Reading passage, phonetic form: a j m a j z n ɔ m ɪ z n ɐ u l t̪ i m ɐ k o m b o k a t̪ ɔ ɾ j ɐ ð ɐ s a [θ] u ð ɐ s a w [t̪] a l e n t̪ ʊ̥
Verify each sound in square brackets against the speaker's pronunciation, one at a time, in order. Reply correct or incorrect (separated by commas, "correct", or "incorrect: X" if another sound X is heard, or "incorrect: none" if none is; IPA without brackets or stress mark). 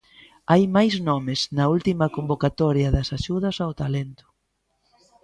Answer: incorrect: ʃ, correct